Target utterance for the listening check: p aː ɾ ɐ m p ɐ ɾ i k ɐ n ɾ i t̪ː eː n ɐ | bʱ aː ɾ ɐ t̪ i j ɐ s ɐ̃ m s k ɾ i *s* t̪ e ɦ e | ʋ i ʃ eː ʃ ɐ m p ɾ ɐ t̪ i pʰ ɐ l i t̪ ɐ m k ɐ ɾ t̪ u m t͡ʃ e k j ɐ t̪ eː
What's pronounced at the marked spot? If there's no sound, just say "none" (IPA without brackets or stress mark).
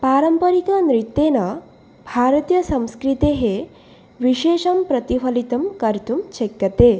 none